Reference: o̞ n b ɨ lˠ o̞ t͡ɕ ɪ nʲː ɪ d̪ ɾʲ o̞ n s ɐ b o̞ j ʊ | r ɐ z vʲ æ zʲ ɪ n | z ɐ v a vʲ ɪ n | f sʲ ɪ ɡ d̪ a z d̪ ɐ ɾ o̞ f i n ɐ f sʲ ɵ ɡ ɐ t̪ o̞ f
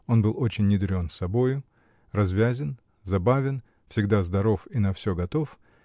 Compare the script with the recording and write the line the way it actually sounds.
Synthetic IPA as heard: o̞ n b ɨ lˠ o̞ t͡ɕ ɪ nʲː ɪ d̪ ɾʲ o̞ n s ɐ b o̞ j ʊ | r ɐ z vʲ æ zʲ ɪ n | z ɐ b a vʲ ɪ n | f sʲ ɪ ɡ d̪ a z d̪ ɐ ɾ o̞ f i n ɐ f sʲ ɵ ɡ ɐ t̪ o̞ f